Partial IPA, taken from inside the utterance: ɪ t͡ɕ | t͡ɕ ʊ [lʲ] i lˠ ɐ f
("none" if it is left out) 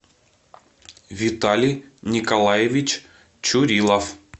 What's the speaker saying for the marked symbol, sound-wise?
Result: ɾʲ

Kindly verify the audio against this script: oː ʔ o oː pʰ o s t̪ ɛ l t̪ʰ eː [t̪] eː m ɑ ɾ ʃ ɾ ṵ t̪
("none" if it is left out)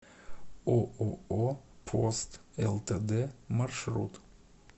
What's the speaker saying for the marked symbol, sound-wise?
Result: d̪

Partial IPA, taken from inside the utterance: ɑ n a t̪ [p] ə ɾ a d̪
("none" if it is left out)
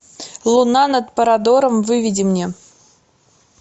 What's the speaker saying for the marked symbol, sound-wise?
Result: p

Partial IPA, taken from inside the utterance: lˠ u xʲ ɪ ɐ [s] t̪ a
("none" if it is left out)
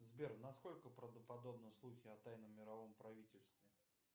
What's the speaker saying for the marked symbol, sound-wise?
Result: none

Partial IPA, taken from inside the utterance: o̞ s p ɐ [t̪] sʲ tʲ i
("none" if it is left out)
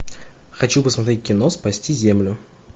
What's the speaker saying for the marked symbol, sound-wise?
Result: none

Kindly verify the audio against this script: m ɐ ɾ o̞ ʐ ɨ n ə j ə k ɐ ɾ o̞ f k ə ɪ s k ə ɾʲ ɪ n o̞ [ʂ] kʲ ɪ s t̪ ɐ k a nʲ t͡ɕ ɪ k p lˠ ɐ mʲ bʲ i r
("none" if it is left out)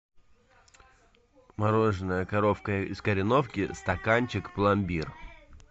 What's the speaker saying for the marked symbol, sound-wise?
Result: f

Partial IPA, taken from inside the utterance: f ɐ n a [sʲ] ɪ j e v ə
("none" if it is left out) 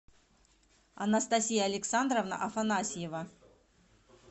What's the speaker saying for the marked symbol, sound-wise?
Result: sʲ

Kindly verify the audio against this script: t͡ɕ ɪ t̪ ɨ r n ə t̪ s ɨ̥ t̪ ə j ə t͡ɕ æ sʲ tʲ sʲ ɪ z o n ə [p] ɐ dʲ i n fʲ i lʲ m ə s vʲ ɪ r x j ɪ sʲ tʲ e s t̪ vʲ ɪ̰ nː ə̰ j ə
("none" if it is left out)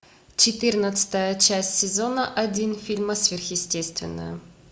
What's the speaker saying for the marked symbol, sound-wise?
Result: ʔ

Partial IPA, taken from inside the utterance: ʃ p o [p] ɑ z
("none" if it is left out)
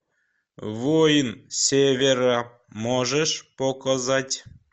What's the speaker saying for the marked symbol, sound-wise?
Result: k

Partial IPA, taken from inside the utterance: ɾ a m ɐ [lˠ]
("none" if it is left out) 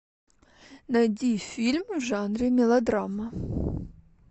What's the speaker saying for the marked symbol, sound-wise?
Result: none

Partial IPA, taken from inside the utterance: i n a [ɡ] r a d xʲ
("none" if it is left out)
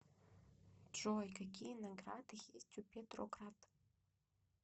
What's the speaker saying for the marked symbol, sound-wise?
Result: ɡ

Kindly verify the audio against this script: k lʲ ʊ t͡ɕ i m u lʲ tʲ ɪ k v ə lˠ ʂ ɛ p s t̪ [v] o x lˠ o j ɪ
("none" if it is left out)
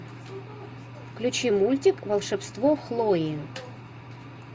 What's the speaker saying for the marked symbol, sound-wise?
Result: v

